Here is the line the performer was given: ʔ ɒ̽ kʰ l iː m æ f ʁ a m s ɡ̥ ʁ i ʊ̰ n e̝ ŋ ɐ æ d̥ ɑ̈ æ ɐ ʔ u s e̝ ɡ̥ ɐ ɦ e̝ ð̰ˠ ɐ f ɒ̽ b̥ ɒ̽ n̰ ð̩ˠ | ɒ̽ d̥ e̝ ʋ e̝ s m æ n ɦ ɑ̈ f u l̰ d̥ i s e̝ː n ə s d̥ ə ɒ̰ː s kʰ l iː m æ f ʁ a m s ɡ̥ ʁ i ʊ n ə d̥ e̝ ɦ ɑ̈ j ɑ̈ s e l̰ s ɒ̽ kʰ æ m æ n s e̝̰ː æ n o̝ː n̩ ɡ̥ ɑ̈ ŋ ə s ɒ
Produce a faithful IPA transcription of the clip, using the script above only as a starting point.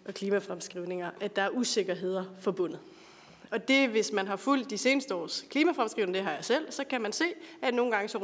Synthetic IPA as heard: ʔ ɒ̽ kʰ l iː m æ f ʁ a m s ɡ̥ ʁ i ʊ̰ n e̝ ŋ ɐ æ d̥ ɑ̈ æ ɐ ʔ u s e̝ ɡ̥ ɐ ɦ e̝ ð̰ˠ ɐ f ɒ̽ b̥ ɔ̽ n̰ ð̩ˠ | ɒ̽ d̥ e̝ ʋ e̝ s m æ n ɦ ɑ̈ f u l̰ d̥ i s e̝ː n ə s d̥ ə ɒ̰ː s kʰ l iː m æ f ʁ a m s ɡ̥ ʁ i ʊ n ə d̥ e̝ ɦ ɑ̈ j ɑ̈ s e l̰ s ɒ̽ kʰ æ m æ n s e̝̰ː æ n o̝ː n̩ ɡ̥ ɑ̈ ŋ ə s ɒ